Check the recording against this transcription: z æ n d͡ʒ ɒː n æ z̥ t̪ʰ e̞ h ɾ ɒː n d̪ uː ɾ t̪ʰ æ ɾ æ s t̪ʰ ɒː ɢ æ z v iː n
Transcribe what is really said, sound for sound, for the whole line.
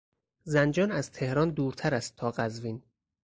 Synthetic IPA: z æ n d͡ʒ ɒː n æ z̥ t̪ʰ e̞ h ɾ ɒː n d̪ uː ɾ t̪ʰ æ ɾ æ s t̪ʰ ɒː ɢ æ z v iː n